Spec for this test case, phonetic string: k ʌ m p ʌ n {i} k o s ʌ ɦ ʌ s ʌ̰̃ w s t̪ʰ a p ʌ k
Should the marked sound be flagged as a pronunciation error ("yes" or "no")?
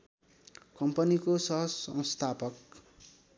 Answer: no